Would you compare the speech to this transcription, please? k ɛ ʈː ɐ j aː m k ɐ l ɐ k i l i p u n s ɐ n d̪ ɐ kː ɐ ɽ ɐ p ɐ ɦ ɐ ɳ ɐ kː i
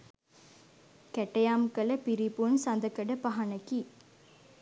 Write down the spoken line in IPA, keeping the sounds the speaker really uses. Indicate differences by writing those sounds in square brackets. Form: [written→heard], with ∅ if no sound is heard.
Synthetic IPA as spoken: k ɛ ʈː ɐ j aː m k ɐ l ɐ [k→p] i [l→ɾ] i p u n s ɐ n d̪ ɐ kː ɐ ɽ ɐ p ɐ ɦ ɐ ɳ ɐ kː i